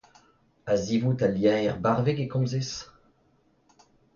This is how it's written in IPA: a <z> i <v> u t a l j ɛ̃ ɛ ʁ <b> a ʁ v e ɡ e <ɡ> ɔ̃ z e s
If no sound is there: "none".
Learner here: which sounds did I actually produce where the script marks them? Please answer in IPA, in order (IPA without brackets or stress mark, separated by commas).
z, v, b, k